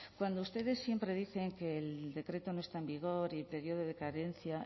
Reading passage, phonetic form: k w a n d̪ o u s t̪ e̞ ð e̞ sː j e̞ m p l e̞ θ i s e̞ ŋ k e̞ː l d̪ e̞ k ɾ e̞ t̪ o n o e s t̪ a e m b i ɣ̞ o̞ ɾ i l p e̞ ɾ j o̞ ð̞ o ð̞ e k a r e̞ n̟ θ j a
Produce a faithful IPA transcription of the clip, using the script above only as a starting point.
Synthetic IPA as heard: k w a n d̪ o u s t̪ e̞ ð e̞ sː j e̞ m p ɾ e̞ ð i θ e̞ ŋ k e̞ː l d̪ e̞ k ɾ e̞ t̪ o n o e s t̪ a e m b i ɣ̞ o̞ ɾ i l p e̞ ɾ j o̞ ð̞ o ð̞ e k a ɾ e̞ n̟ θ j a